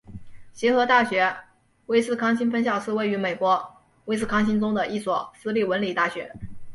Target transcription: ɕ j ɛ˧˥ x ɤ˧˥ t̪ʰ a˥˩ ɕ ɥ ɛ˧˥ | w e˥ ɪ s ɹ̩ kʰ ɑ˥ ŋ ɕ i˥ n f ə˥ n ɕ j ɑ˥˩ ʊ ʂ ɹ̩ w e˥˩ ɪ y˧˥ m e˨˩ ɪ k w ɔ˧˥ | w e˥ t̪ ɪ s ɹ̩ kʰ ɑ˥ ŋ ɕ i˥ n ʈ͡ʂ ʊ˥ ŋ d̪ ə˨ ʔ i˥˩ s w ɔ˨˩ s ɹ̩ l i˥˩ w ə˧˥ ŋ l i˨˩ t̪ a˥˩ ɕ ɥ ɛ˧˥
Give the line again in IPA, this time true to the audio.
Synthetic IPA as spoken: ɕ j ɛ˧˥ x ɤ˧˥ t̪ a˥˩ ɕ ɥ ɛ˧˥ | w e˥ ɪ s ɹ̩ kʰ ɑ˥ ŋ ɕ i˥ n f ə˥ n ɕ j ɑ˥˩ ʊ ʂ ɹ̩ w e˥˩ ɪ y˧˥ m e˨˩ ɪ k w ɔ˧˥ | w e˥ ɪ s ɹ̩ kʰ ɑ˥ ŋ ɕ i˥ n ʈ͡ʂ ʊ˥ ŋ d̪ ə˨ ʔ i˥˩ s w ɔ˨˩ s ɹ̩ l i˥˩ w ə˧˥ n l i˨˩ t̪ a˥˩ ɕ ɥ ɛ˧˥

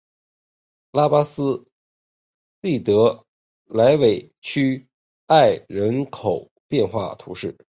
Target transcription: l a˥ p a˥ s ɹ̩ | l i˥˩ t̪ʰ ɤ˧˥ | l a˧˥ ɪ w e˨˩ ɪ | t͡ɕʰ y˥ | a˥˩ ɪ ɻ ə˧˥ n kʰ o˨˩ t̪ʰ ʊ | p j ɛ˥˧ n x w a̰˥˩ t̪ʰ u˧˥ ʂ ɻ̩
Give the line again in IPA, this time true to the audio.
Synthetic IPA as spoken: l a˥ p a˥ s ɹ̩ | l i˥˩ t̪ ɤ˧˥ | l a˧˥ ɪ w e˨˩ ɪ | t͡ɕʰ y˥ | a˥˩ ɪ ɻ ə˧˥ n kʰ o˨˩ ʊ | p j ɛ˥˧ n x w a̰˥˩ t̪ʰ u˧˥ ʂ ɻ̩

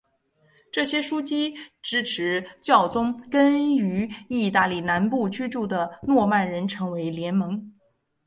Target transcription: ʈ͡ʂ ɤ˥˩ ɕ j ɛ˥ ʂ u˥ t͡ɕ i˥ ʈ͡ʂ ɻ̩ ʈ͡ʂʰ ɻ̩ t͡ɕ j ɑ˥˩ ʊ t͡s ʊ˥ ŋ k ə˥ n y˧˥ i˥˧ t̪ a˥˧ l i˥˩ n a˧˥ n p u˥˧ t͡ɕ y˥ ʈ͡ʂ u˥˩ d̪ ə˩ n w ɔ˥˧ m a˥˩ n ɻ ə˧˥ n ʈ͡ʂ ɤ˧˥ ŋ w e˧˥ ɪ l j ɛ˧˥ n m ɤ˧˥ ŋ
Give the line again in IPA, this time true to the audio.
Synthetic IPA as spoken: ʈ͡ʂ ɤ˥˩ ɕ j ɛ˥ ʂ u˥ t͡ɕ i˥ ʈ͡ʂ ɻ̩ ʈ͡ʂʰ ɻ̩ t͡ɕ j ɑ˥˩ ʊ t͡s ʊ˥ ŋ k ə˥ n y˧˥ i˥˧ t̪ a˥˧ l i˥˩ n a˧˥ n p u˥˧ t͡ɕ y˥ ʈ͡ʂ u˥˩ d̪ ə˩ n w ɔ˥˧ m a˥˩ n ɻ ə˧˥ n ʈ͡ʂʰ ɤ˧˥ ŋ w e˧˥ ɪ l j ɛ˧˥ n m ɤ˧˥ ŋ

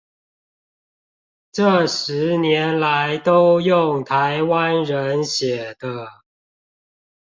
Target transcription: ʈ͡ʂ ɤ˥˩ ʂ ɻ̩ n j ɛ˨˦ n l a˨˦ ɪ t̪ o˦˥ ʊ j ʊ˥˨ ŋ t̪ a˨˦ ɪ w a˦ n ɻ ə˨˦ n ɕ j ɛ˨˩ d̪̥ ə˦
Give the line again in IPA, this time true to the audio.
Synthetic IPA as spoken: ʈ͡ʂ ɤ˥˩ ʂ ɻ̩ n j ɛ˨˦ n l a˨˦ ɪ t̪ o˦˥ ʊ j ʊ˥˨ ŋ t̪ʰ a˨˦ ɪ w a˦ n ɻ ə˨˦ n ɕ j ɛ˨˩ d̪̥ ə˦

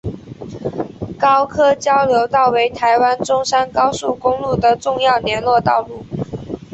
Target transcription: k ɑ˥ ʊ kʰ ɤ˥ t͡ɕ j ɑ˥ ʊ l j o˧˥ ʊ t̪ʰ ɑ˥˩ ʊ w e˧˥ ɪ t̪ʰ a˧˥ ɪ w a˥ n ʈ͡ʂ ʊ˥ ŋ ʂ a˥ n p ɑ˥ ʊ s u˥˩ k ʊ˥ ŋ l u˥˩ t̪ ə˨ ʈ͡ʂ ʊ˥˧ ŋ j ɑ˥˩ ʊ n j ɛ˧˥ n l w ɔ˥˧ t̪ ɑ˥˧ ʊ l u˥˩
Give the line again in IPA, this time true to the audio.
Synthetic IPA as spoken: k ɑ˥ ʊ kʰ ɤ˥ t͡ɕ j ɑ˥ ʊ l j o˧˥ ʊ t̪ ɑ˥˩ ʊ w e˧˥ ɪ t̪ʰ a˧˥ ɪ w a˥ n ʈ͡ʂ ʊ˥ ŋ ʂ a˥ n k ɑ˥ ʊ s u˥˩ k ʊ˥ ŋ l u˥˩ d̪ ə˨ ʈ͡ʂ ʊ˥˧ ŋ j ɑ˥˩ ʊ n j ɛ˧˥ n l w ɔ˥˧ t̪ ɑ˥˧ ʊ l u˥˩

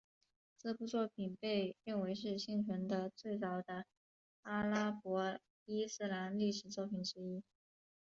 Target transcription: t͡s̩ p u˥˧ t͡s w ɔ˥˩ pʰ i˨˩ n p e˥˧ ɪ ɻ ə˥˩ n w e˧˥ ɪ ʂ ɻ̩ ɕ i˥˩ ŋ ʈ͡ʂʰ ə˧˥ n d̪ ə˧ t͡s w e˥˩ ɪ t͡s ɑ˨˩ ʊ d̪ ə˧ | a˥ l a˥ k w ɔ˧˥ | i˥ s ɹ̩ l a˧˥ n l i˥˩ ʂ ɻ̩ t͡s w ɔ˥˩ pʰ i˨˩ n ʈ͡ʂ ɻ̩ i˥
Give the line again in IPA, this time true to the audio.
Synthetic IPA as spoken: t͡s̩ p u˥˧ t͡s w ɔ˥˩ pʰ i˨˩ n p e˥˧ ɪ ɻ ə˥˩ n w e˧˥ ɪ ʂ ɻ̩ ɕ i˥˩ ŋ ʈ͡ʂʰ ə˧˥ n d̪ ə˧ t͡s w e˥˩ ɪ t͡s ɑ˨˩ ʊ d̪ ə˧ | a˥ l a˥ p w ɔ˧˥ | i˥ s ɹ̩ l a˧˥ n l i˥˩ ʂ ɻ̩ t͡s w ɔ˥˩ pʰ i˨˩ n ʈ͡ʂ ɻ̩ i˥

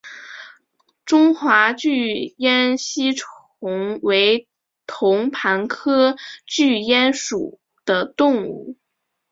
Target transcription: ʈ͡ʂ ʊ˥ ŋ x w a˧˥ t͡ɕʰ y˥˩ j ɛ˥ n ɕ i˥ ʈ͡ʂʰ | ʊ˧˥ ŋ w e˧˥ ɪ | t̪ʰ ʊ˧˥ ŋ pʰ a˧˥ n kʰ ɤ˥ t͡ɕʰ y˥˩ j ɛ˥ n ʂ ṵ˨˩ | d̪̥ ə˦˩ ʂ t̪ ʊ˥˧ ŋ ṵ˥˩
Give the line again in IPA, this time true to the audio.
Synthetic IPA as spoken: ʈ͡ʂ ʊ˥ ŋ x w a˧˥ t͡ɕ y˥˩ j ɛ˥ n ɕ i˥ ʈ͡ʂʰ | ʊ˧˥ ŋ w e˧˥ ɪ | t̪ʰ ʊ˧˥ ŋ pʰ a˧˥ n kʰ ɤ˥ t͡ɕ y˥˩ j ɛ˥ n ʂ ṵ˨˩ | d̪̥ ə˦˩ t̪ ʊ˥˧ ŋ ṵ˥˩

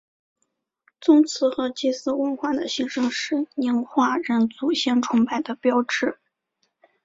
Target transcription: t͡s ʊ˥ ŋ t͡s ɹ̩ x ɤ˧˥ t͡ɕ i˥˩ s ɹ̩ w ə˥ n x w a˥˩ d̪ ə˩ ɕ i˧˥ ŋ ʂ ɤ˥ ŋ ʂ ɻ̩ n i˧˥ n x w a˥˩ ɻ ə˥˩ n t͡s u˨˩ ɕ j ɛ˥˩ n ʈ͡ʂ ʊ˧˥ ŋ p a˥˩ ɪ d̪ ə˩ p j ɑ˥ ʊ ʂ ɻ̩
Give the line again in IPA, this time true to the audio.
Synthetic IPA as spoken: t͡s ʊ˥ ŋ t͡sʰ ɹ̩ x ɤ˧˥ t͡ɕ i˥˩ s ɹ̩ w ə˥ n x w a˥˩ d̪ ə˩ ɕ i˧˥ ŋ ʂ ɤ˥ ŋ ʂ ɻ̩ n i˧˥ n x w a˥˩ ɻ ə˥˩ n t͡s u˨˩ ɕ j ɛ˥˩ n ʈ͡ʂʰ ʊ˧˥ ŋ p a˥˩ ɪ d̪ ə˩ p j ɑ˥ ʊ ʈ͡ʂ ɻ̩

